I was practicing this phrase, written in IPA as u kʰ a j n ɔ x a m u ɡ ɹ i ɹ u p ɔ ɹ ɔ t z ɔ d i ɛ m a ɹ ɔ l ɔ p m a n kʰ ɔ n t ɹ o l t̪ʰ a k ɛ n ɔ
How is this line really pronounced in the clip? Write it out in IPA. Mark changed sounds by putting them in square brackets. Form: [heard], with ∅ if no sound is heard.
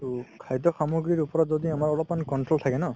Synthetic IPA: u kʰ a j [d] ɔ x a m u ɡ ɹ i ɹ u p ɔ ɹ ɔ t z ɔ d i [a] m a ɹ ɔ l ɔ p m a n [k] ɔ n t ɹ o l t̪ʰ a k ɛ n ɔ